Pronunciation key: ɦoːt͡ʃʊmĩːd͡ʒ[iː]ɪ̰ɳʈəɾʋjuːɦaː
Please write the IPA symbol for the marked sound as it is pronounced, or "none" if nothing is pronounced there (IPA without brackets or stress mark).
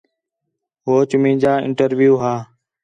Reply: aː